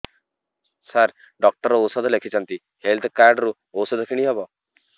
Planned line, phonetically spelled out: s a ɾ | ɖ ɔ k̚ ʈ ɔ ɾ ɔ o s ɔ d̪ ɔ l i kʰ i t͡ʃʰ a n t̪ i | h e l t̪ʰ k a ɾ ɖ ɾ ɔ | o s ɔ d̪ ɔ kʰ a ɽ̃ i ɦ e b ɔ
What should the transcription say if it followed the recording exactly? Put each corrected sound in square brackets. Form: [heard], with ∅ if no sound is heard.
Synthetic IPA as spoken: s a ɾ | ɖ ɔ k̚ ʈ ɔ ɾ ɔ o s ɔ d̪ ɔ l [e] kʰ i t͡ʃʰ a n t̪ i | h e l t̪ʰ k a ɾ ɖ ɾ [u] | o s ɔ d̪ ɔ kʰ [i] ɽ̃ i ɦ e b ɔ